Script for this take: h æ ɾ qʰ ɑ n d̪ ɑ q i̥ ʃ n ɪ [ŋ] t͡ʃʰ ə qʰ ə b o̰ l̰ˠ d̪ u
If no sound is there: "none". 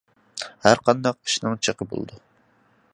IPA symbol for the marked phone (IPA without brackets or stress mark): ŋ